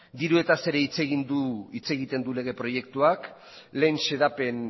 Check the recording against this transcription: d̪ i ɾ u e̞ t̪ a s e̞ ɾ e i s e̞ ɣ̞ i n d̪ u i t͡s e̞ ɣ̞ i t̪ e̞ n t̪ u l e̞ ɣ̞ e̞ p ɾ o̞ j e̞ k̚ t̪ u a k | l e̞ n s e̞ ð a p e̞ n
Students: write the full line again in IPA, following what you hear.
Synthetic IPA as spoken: d̪ i ɾ u e̞ t̪ a s e̞ ɾ e i t͡s e̞ ɣ̞ i n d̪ u i t͡s e̞ ɣ̞ i t̪ e̞ n d̪ u l e̞ ɣ̞ e̞ p ɾ o̞ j e̞ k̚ t̪ u a k | l e̞ n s e̞ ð a p e̞ n